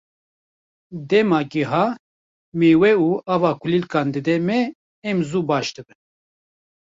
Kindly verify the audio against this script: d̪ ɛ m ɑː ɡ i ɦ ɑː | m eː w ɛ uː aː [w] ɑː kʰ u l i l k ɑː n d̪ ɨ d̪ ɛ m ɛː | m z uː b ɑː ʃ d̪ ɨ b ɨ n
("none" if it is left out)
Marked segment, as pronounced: v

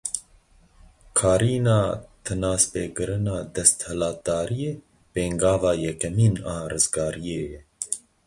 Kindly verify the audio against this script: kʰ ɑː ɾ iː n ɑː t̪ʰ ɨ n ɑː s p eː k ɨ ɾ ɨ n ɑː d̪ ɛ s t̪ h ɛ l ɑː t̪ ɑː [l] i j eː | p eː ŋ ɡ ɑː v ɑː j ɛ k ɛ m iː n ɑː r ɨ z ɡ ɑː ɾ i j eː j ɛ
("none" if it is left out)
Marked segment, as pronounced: ɾ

